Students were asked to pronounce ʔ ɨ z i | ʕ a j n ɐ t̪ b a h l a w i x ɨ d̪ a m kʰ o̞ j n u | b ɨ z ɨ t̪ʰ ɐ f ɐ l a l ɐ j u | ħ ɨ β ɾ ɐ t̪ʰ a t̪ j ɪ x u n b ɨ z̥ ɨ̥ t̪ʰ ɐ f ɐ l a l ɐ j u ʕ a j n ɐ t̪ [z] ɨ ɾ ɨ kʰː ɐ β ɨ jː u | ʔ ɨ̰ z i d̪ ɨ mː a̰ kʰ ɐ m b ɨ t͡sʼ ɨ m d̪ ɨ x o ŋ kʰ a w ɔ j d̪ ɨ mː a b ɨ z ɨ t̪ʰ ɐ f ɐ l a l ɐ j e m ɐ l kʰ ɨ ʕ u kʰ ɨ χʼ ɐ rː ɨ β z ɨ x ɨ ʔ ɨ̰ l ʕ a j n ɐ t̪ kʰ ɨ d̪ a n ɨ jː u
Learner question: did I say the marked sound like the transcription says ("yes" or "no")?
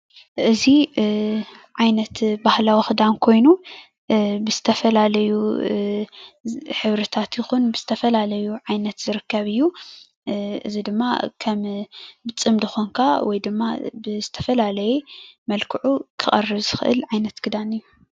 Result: yes